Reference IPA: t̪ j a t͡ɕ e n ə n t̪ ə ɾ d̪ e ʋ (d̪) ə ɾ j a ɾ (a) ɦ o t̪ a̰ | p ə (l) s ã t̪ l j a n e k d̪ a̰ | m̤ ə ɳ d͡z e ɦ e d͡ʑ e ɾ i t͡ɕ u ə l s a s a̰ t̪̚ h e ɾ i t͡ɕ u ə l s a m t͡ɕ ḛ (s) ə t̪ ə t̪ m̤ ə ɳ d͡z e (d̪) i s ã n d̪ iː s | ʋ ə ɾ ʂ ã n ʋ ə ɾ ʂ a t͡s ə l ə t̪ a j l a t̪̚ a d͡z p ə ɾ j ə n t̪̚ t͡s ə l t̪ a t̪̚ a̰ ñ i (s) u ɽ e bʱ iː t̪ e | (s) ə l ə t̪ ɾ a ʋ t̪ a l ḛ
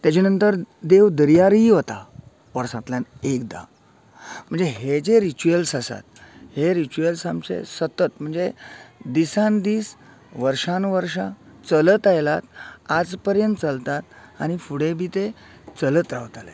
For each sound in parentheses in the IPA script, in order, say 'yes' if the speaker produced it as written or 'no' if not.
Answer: yes, no, no, yes, yes, no, no

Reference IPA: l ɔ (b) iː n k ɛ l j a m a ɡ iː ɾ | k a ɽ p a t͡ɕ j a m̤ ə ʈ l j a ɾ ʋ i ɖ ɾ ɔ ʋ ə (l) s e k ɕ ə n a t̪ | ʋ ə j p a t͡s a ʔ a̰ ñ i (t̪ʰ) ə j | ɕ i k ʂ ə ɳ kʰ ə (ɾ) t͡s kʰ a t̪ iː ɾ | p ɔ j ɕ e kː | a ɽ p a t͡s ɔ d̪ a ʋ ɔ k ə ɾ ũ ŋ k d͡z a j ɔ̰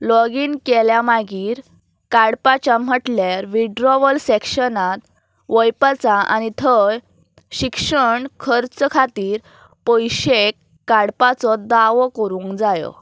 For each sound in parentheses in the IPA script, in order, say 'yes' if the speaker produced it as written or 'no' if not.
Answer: no, yes, yes, yes

